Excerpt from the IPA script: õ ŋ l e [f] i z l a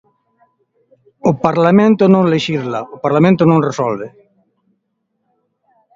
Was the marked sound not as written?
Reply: yes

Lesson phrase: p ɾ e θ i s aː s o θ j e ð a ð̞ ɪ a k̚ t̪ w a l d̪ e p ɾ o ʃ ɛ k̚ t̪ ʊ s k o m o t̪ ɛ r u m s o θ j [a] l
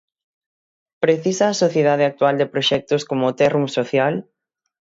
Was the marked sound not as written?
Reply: no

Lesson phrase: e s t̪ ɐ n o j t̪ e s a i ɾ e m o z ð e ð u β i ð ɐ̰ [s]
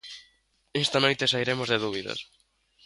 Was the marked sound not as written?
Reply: no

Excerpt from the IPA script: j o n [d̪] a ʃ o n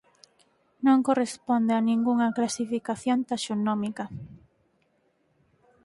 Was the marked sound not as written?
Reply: yes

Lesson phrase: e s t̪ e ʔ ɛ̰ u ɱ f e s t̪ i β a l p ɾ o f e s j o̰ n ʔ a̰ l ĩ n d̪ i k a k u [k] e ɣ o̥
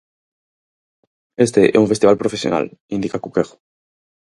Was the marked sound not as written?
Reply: no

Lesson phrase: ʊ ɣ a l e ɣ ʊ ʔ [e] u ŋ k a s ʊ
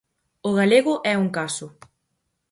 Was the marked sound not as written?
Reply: yes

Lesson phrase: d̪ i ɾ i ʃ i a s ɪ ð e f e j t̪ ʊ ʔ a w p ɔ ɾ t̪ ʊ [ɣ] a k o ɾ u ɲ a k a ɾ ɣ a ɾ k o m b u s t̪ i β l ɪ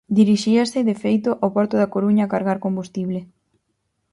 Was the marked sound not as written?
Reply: yes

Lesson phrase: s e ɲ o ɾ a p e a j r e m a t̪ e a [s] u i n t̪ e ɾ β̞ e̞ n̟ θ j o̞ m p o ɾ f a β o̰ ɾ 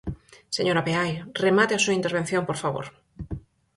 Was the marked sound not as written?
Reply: no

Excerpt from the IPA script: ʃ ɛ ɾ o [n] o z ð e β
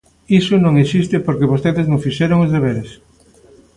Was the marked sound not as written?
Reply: yes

